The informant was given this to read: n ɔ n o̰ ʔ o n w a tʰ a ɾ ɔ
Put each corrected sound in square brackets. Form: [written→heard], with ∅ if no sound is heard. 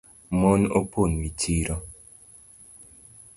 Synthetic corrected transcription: [n→m] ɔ n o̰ [ʔ→p] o n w [a→i] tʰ [a→i] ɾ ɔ